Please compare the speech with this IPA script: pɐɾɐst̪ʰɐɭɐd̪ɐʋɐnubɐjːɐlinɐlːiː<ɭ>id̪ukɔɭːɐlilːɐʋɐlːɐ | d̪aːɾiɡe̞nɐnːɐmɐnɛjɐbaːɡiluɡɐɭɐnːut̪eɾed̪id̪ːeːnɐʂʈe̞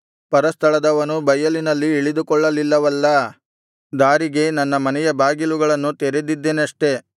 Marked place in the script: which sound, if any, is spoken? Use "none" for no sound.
ɭ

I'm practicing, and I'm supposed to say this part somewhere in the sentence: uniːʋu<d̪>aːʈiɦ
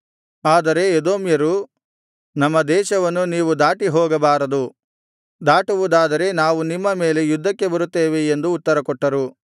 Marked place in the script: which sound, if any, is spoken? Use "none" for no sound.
d̪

